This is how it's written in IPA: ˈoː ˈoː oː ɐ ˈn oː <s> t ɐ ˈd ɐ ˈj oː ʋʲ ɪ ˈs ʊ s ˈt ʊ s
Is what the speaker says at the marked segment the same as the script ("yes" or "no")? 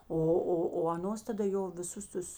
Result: yes